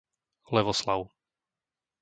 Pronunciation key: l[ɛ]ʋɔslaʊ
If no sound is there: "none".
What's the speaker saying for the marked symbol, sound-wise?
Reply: ɛ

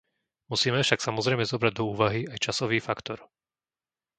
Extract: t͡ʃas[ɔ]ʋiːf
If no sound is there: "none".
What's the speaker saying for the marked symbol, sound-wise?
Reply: ɔ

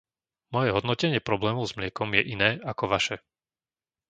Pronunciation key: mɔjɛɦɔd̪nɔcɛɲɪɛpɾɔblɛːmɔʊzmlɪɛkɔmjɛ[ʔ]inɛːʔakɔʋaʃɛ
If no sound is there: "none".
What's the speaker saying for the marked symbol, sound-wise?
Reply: ʔ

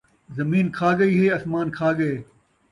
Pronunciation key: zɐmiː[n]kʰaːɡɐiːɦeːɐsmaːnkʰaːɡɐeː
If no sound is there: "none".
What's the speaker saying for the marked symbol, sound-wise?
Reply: n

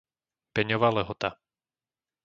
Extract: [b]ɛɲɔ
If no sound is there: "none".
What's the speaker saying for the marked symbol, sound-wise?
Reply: p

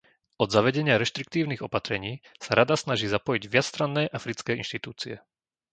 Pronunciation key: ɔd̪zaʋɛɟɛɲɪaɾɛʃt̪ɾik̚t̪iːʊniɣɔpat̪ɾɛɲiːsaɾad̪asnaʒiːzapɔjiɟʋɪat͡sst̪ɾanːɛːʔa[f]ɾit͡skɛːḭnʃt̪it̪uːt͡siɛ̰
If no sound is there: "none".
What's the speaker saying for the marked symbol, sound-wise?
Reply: f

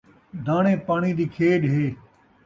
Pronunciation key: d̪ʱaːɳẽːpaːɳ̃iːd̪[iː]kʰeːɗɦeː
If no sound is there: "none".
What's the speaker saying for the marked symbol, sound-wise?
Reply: iː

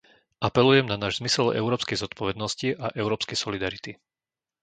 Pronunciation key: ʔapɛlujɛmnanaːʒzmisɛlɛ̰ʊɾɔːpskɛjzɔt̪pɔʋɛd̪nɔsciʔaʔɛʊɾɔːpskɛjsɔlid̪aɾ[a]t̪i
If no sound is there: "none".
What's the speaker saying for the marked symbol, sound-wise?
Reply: i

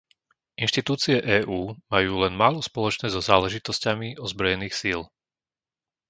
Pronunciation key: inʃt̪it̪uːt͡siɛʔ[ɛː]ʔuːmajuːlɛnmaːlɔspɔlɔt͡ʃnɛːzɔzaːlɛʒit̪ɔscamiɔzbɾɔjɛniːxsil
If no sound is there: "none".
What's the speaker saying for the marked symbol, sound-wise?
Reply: ɛː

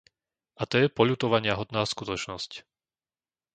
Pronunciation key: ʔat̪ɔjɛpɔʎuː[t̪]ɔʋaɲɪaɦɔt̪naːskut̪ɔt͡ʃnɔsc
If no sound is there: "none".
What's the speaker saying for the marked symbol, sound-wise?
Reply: t̪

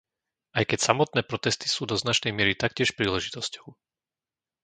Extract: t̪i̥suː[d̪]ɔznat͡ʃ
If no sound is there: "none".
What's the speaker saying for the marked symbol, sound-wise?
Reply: d̪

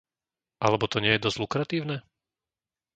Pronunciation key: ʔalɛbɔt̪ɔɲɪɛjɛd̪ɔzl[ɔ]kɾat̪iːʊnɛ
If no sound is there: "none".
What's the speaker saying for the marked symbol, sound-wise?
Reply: u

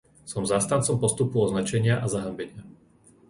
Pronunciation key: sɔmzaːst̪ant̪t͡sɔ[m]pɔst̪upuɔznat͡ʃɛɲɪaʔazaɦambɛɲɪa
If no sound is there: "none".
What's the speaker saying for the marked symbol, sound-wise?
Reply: m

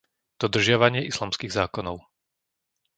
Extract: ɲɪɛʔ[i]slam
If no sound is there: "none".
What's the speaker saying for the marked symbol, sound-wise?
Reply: i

